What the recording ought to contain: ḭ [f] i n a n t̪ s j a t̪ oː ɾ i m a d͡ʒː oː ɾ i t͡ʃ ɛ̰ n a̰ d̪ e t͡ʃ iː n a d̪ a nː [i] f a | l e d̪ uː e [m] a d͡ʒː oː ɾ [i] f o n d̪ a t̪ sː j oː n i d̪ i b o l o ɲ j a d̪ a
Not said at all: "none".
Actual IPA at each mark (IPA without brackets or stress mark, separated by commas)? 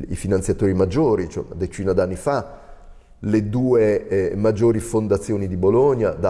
f, i, m, i